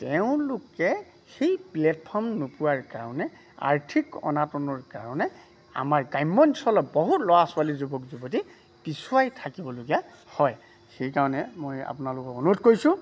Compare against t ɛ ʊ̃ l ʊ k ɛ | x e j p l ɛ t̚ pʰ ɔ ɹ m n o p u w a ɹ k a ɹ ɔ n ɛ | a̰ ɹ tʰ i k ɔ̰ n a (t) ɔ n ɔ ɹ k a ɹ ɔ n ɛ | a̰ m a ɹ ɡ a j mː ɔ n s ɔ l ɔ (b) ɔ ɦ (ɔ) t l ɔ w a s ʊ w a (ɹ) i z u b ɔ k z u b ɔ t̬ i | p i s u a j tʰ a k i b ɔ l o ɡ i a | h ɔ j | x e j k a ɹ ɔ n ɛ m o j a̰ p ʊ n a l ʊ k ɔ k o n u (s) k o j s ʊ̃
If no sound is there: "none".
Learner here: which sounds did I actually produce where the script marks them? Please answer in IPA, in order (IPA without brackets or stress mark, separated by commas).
t, b, u, l, t